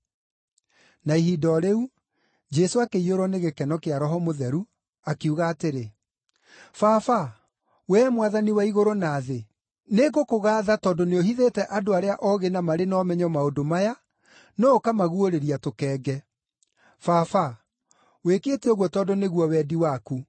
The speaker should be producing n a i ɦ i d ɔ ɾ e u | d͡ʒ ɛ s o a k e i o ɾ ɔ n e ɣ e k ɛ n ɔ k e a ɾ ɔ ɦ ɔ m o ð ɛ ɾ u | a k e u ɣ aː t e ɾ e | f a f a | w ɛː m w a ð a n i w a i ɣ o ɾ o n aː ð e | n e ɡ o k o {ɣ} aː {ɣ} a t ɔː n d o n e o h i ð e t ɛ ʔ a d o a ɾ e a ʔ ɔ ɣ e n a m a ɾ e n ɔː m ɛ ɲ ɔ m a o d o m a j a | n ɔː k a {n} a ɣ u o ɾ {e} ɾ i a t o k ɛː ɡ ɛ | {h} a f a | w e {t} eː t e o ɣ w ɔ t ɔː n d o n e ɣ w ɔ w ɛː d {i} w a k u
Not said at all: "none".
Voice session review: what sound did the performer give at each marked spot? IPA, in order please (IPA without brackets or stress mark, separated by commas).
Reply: ɣ, ð, m, e, f, k, i